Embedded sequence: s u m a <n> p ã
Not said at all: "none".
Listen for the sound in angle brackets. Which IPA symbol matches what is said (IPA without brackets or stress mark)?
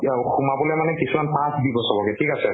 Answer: n